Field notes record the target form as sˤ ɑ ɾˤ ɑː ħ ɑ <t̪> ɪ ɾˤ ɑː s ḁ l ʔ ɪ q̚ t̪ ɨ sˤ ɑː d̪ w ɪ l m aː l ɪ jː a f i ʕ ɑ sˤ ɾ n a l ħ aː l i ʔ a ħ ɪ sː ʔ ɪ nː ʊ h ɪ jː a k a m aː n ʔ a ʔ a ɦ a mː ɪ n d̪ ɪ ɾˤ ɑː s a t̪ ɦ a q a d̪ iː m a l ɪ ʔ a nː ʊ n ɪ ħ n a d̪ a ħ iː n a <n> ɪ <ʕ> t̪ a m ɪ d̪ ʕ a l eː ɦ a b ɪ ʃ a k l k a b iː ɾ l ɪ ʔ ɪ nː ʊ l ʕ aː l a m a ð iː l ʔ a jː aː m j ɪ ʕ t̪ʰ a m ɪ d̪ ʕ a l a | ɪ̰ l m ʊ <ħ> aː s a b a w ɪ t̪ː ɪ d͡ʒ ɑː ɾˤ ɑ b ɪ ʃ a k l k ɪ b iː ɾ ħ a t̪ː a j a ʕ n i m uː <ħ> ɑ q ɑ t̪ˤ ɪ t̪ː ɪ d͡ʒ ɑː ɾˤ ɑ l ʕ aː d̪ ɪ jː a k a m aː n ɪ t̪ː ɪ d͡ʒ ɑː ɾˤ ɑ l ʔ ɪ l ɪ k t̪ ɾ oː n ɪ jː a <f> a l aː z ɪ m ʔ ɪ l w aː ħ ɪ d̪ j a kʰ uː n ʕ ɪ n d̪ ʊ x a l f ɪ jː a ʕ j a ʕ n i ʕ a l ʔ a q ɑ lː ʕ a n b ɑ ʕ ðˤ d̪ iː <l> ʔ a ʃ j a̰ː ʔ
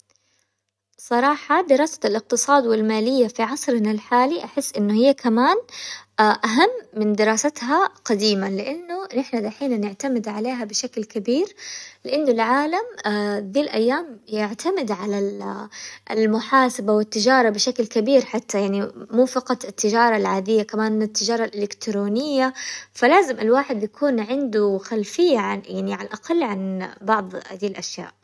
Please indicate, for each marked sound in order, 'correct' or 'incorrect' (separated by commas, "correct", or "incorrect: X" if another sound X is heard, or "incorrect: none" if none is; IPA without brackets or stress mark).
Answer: incorrect: d̪, correct, correct, correct, incorrect: f, correct, correct